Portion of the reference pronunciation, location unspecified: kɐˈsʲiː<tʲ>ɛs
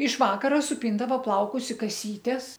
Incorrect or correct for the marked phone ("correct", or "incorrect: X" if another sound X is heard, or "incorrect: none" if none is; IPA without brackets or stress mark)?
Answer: correct